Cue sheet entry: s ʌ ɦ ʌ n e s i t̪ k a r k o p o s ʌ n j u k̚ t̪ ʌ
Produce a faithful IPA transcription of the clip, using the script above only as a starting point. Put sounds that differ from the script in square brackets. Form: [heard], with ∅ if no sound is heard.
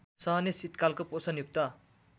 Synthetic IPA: s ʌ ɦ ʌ n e s i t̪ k a [l] k o p o s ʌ n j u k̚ t̪ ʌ